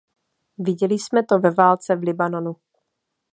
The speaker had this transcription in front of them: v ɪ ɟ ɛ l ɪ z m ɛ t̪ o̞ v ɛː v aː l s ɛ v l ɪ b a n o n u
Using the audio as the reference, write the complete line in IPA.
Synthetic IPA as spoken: v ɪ ɟ ɛ l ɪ s m ɛ t̪ o̞ v ɛ v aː l t͡s ɛ v l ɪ b a n o n u